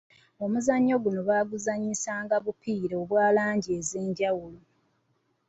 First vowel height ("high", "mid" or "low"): mid